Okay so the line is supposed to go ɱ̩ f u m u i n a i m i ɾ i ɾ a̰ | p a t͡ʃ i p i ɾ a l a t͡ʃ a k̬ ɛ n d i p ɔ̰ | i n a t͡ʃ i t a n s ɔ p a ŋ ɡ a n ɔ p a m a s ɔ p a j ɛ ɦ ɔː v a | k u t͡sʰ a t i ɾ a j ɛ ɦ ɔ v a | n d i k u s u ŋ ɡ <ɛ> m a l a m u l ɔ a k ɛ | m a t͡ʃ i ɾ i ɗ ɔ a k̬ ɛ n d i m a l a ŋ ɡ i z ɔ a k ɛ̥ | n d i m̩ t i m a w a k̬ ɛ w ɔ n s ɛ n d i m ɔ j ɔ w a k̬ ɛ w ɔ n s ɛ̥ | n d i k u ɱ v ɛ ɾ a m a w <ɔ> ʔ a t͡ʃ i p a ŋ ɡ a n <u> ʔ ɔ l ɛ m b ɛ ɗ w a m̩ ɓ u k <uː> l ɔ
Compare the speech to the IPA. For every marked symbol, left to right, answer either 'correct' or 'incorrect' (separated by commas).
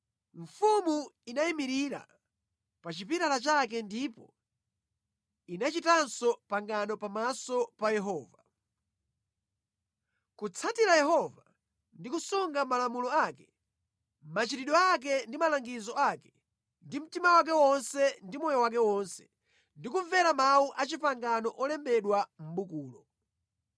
incorrect, incorrect, incorrect, correct